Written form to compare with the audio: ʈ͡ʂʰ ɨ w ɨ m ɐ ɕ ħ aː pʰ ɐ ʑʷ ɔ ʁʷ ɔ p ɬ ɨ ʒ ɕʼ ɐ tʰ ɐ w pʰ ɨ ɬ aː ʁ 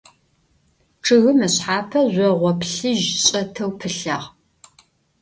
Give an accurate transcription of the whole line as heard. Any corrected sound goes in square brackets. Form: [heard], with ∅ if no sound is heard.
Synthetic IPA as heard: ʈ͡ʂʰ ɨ [ɣ] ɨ m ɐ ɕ ħ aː pʰ ɐ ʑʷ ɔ ʁʷ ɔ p ɬ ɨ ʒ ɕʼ ɐ tʰ ɐ w pʰ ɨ ɬ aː ʁ